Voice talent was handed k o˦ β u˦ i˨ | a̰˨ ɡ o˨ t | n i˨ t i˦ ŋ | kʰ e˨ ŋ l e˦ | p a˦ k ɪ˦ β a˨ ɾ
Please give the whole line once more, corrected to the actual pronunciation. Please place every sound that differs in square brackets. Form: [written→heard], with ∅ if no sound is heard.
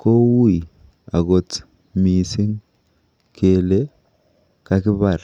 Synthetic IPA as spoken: k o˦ [β→w] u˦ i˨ | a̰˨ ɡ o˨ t | [n→m] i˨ [t→s] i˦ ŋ | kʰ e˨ [ŋ→∅] l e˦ | [p→k] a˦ k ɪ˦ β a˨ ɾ